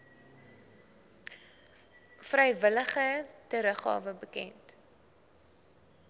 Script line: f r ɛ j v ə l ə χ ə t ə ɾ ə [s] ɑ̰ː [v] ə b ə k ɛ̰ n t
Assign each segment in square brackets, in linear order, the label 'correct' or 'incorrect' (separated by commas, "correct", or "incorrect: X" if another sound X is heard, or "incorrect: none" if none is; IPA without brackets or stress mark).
incorrect: χ, correct